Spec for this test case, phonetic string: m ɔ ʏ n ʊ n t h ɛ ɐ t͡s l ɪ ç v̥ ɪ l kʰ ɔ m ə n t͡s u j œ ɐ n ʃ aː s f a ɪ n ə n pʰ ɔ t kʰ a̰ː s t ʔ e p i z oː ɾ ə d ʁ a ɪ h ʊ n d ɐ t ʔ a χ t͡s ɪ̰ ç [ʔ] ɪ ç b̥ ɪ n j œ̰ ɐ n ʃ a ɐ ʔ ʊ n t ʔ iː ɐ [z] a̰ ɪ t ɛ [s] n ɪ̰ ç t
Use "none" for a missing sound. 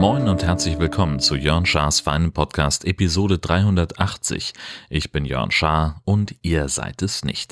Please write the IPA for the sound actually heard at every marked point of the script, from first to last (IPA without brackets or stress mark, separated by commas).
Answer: ʔ, z, s